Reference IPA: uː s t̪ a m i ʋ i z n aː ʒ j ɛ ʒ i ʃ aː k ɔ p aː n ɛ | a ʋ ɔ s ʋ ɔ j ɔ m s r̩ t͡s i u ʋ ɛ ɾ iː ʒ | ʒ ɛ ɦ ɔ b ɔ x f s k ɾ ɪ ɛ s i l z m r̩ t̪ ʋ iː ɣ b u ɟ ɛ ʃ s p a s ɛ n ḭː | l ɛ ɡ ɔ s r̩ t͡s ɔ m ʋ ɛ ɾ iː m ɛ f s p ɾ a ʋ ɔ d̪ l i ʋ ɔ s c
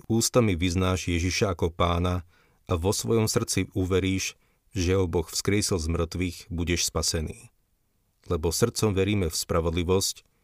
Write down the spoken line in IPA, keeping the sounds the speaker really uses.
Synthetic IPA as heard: uː s t̪ a m i ʋ i z n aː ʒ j ɛ ʒ i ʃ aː k ɔ p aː n a | a ʋ ɔ s ʋ ɔ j ɔ m s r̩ t͡s i u ʋ ɛ ɾ iː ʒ | ʒ ɛ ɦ ɔ b ɔ x f s k ɾ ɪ ɛ s i l z m r̩ t̪ ʋ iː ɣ b u ɟ ɛ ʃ s p a s ɛ n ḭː | l ɛ b ɔ s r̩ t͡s ɔ m ʋ ɛ ɾ iː m ɛ f s p ɾ a ʋ ɔ d̪ l i ʋ ɔ s c